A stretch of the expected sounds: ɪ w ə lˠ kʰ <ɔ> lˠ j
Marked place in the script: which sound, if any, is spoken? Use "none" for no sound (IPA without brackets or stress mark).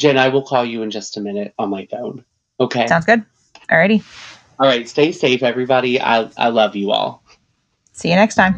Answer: ɔ